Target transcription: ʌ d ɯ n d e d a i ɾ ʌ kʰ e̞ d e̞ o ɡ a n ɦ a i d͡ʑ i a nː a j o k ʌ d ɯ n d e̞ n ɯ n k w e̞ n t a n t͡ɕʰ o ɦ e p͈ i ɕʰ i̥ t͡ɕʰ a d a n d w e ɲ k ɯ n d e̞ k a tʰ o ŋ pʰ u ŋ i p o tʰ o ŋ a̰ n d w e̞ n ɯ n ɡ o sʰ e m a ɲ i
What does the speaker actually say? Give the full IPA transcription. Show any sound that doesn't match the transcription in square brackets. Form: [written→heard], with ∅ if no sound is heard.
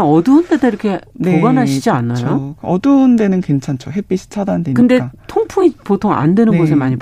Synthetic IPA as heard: ʌ d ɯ n d e d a i ɾ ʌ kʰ e̞ [d→n] e̞ o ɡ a n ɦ a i d͡ʑ i a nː a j o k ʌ d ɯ n d e̞ n ɯ n k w e̞ n [t→t͡ɕʰ] a n t͡ɕʰ o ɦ e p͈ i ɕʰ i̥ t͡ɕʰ a d a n d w e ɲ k ɯ n d e̞ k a tʰ o ŋ pʰ u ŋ i p o tʰ o ŋ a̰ n d w e̞ n ɯ n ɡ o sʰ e m a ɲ i